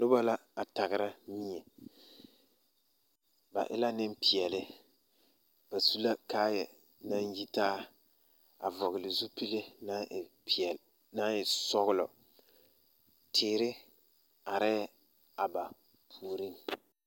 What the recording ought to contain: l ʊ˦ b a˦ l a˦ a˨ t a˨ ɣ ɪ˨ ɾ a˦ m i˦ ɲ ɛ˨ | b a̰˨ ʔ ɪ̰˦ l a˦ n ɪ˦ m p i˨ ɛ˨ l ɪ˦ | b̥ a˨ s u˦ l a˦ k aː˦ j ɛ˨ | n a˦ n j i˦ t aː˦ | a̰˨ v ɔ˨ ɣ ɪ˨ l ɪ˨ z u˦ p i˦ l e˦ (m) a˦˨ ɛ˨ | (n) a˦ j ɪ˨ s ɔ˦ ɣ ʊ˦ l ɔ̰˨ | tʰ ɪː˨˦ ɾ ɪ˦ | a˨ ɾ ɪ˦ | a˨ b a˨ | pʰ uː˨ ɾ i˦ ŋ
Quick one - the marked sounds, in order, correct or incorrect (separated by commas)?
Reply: incorrect, correct